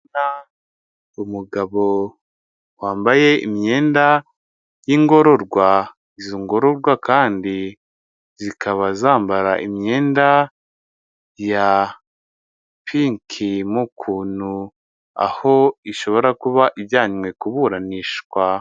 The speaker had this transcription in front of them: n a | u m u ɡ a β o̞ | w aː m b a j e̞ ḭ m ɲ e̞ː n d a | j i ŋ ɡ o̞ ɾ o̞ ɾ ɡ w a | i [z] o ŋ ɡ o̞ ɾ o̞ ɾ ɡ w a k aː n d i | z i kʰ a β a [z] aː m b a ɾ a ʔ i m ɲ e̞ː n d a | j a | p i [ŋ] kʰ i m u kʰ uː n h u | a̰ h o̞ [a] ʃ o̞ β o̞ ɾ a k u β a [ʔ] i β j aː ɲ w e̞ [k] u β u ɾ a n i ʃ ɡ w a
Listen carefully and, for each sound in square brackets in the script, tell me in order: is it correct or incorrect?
correct, correct, correct, incorrect: i, correct, correct

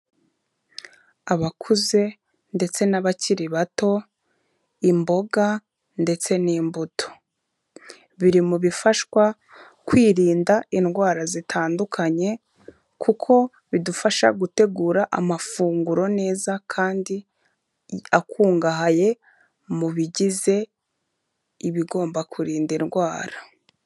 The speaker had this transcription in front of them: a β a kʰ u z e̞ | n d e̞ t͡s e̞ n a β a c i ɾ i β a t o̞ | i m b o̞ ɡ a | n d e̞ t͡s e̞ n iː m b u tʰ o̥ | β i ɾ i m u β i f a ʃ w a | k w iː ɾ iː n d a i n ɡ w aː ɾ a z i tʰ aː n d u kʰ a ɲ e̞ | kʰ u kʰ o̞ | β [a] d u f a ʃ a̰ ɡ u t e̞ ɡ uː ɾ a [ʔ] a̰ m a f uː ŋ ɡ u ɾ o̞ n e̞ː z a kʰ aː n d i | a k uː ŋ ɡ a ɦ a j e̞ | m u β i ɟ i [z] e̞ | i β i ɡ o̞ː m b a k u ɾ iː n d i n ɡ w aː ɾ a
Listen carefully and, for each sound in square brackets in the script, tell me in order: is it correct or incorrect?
incorrect: i, correct, correct

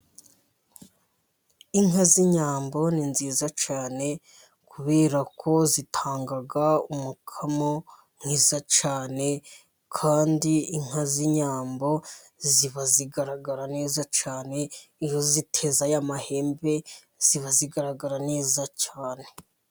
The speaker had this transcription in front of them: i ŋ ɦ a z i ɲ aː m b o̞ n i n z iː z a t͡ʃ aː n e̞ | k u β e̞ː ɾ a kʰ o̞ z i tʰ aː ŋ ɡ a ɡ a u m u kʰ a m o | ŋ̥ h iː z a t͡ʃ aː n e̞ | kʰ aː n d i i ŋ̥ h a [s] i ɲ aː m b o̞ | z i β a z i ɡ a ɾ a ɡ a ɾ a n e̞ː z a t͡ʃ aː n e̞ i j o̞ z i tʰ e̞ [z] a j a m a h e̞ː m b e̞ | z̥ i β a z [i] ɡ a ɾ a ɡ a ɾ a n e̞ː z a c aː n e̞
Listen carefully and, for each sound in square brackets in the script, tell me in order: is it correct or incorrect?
incorrect: z, correct, correct

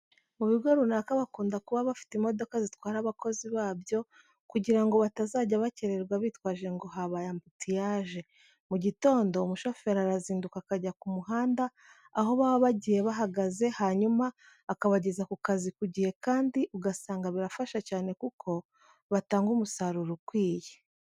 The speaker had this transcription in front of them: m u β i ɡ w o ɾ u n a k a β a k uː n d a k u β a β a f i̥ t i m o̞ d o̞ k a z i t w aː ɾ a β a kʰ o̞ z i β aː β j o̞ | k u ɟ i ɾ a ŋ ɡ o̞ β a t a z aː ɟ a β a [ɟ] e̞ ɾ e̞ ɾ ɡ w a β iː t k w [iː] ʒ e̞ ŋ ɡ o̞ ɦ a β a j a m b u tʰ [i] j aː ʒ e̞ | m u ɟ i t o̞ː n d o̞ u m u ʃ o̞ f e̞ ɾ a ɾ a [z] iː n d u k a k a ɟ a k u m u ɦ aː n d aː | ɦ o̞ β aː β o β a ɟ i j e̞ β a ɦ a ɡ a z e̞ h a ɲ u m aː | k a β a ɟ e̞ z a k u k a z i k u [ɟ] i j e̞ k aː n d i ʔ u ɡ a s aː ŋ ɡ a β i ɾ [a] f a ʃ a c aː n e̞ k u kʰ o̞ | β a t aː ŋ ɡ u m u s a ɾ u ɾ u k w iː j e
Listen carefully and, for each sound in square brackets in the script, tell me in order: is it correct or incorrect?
incorrect: c, incorrect: aː, correct, correct, correct, correct

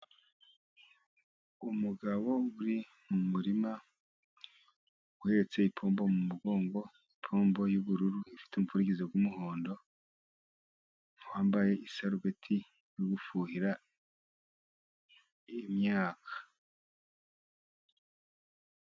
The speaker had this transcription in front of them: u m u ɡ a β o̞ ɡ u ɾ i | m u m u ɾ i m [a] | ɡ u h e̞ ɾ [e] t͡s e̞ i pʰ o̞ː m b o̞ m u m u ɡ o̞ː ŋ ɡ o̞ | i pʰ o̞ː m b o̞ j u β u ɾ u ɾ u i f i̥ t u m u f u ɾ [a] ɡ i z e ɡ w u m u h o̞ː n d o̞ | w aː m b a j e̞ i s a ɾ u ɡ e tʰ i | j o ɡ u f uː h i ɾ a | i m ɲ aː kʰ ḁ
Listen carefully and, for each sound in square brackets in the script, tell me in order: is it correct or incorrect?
correct, correct, incorrect: i

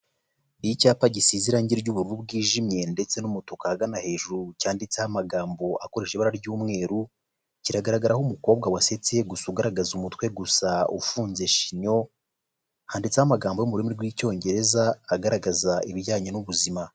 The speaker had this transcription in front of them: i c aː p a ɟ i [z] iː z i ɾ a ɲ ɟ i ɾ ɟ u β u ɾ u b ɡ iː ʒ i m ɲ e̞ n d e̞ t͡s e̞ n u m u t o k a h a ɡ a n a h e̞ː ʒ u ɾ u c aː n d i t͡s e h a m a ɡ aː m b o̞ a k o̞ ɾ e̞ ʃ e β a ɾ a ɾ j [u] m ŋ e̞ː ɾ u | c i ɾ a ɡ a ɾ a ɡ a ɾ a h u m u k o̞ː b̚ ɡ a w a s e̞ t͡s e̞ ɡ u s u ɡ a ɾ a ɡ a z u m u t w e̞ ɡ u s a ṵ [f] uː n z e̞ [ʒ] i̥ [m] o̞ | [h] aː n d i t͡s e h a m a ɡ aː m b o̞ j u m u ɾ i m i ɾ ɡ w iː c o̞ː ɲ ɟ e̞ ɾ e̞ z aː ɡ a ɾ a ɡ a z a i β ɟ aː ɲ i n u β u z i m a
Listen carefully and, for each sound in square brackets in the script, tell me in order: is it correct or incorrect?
incorrect: s, incorrect: uː, correct, incorrect: ʃ, incorrect: ɲ, correct

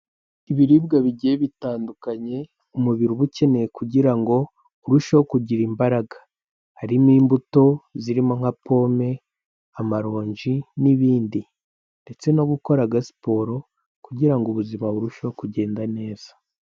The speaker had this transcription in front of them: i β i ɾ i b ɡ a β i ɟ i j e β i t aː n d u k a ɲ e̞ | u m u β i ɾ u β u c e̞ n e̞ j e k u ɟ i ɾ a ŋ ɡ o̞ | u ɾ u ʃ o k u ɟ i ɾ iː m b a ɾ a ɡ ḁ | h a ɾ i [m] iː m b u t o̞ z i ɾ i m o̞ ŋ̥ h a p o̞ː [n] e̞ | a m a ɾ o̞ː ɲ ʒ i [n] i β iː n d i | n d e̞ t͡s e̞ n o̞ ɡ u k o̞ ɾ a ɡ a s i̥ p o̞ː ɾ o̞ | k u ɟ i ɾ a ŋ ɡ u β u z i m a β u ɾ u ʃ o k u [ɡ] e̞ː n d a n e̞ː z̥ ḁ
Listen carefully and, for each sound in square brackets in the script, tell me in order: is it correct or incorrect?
correct, incorrect: m, correct, incorrect: ɟ

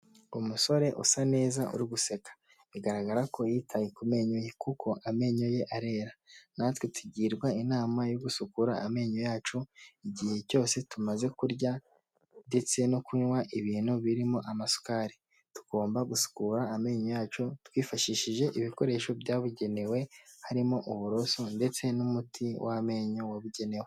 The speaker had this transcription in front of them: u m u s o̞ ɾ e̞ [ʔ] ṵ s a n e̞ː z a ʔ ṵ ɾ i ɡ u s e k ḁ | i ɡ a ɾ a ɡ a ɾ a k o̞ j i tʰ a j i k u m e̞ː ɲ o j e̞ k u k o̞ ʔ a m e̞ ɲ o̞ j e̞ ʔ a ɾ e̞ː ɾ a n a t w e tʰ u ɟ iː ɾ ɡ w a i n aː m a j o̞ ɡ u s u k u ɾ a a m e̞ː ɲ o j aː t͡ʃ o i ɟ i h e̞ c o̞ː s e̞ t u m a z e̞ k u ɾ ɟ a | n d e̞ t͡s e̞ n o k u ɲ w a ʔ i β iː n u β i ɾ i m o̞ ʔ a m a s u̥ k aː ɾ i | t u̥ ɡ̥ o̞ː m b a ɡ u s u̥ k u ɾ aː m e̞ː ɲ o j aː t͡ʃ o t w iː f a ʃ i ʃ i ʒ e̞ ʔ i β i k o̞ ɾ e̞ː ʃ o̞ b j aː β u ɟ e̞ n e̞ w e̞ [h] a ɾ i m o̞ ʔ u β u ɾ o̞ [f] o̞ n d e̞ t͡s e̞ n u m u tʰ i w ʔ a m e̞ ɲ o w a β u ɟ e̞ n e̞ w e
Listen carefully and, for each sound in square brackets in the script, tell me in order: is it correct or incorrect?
correct, correct, incorrect: s

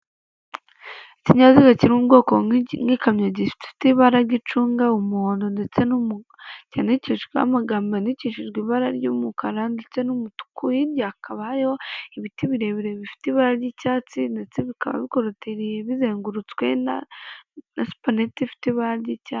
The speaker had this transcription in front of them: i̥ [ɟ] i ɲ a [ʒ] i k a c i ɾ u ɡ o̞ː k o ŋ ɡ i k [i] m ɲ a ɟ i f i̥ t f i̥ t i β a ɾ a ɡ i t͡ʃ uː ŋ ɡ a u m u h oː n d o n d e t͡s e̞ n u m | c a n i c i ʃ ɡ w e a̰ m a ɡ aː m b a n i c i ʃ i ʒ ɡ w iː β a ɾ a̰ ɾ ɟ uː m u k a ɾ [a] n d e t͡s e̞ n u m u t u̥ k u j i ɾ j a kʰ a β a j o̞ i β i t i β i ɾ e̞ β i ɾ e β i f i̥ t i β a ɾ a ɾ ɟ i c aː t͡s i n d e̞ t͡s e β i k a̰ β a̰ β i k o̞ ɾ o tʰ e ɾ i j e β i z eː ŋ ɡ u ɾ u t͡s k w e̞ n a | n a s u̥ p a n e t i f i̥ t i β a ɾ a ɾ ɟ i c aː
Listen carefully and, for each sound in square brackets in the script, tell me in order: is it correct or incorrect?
incorrect: c, incorrect: z, incorrect: a, correct

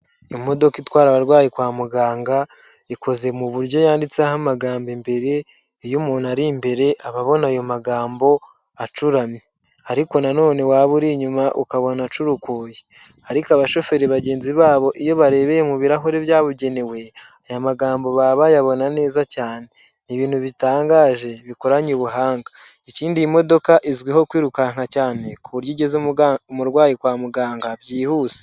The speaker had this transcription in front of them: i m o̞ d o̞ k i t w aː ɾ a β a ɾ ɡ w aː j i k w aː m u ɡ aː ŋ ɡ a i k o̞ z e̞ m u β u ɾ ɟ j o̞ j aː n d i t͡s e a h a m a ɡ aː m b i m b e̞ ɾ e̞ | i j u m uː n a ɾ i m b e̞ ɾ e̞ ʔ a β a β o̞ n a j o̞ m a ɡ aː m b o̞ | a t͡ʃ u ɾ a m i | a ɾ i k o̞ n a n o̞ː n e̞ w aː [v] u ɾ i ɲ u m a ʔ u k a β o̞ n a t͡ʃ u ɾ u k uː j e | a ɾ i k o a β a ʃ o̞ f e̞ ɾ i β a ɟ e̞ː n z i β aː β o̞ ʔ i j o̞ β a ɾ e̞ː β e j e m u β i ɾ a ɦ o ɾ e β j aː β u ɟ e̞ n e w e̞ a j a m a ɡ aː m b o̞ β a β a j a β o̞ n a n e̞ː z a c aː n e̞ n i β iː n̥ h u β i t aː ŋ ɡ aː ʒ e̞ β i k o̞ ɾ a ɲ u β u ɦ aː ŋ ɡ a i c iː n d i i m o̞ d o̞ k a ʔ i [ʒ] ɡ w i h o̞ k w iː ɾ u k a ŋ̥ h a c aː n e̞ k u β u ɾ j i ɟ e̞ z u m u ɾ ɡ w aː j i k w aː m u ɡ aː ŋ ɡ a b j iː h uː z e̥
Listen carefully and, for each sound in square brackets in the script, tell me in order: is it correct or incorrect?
incorrect: β, incorrect: z

